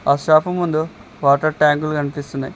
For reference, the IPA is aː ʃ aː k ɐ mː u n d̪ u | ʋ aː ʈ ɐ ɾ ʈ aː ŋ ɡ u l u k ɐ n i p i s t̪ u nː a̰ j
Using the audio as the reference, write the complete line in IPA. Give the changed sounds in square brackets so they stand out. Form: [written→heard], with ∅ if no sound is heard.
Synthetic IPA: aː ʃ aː [k→p] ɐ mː u n d̪ u | ʋ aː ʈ ɐ ɾ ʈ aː ŋ ɡ u l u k ɐ n i p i s t̪ u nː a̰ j